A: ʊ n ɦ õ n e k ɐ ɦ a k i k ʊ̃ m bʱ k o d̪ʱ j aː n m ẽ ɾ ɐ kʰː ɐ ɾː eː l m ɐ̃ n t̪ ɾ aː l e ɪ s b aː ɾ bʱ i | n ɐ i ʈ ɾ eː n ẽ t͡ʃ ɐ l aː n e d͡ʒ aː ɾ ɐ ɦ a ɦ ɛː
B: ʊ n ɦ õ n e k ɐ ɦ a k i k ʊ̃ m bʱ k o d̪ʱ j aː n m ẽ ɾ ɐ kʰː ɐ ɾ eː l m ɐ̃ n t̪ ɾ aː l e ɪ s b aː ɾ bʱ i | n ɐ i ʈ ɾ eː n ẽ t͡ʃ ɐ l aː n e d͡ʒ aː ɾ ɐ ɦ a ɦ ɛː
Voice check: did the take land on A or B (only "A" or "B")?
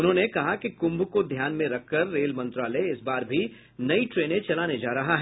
A